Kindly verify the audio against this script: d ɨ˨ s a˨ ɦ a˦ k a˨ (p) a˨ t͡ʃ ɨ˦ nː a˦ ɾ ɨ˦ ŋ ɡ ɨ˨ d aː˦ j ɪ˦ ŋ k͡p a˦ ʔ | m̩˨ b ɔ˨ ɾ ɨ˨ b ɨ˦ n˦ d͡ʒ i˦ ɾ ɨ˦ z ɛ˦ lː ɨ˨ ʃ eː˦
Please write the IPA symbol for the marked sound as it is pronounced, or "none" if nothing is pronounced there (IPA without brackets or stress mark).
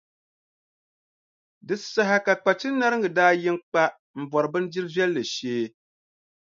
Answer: k͡p